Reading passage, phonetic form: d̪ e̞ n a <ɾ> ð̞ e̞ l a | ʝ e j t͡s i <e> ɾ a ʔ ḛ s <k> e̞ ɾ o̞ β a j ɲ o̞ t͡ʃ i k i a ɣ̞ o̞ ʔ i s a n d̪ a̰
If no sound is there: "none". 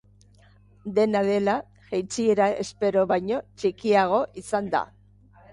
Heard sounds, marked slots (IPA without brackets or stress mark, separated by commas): none, e, p